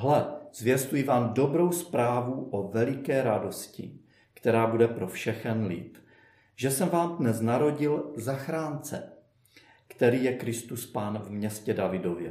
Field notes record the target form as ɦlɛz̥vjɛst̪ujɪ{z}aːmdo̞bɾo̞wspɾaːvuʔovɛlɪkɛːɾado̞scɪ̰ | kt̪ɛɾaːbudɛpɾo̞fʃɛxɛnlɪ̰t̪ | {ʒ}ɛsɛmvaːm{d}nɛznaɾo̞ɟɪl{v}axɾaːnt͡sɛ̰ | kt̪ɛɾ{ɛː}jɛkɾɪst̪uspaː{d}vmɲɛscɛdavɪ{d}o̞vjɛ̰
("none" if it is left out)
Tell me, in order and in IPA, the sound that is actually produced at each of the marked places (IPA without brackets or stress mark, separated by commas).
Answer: v, ʒ, d, z, iː, n, d